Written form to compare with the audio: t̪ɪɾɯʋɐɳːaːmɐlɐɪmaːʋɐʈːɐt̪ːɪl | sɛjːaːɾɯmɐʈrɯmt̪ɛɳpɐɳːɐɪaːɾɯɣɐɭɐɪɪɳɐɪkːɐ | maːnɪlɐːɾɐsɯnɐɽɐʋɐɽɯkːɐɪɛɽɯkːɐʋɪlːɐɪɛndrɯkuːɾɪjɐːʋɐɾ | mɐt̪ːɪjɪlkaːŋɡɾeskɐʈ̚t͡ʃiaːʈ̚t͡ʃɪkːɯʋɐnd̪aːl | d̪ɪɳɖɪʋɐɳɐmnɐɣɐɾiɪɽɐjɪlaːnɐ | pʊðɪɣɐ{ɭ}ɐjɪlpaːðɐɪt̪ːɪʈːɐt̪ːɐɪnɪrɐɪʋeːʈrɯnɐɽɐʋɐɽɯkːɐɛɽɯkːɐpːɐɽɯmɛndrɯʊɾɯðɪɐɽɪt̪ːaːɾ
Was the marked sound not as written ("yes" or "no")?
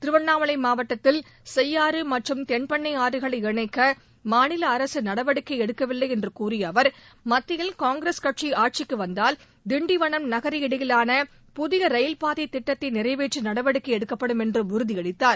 yes